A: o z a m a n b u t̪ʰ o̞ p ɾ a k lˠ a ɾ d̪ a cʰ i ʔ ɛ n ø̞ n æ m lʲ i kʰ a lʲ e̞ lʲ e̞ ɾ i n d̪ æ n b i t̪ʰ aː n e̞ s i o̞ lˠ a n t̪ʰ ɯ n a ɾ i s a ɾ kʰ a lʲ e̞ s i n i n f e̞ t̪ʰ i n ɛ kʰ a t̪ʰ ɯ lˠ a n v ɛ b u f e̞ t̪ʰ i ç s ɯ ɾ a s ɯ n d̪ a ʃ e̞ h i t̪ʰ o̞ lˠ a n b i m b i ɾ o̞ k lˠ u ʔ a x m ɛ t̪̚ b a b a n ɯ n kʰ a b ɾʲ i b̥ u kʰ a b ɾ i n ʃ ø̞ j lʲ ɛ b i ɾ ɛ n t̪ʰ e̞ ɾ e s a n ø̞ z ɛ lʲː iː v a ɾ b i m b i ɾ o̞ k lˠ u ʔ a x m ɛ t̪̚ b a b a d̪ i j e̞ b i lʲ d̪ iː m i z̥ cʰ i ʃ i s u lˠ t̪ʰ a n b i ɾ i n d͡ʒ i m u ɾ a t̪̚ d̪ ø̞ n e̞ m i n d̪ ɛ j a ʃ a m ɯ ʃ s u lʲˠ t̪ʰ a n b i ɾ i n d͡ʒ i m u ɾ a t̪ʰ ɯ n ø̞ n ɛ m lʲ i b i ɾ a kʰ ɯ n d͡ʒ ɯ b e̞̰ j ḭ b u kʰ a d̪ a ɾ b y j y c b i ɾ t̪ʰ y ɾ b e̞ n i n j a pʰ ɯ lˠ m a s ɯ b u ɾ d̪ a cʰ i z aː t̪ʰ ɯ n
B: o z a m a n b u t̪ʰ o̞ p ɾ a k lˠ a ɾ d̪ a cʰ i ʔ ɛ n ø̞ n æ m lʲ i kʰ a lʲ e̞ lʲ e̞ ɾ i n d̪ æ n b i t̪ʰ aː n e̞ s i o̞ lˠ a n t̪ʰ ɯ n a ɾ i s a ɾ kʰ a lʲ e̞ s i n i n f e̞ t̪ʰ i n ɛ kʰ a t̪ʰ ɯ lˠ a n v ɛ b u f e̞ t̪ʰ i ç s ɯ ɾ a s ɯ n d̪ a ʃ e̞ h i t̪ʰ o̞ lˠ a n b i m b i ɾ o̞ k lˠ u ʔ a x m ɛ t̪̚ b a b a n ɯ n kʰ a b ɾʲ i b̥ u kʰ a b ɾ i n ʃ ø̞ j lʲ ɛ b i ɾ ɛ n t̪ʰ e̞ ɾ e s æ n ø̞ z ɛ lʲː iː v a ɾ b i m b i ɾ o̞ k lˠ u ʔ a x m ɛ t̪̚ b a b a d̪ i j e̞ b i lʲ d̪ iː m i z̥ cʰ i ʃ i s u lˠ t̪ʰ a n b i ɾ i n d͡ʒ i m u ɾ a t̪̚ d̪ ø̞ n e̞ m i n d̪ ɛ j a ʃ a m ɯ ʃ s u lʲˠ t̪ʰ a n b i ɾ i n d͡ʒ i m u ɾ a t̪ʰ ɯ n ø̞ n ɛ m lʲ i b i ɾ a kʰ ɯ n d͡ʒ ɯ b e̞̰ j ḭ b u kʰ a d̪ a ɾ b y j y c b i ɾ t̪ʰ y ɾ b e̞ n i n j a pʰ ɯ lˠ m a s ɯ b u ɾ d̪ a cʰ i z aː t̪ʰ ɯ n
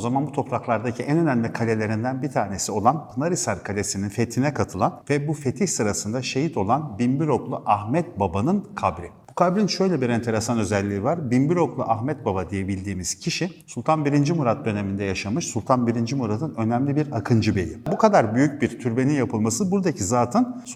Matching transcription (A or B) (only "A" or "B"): A